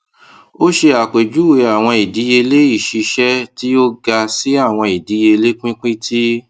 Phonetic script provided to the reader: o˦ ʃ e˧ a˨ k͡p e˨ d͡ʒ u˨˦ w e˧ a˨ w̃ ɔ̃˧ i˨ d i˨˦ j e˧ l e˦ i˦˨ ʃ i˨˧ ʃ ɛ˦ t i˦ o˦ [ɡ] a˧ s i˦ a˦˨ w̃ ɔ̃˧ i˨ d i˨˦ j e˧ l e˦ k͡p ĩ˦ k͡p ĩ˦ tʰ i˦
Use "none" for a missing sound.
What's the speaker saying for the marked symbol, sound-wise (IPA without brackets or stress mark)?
ɡ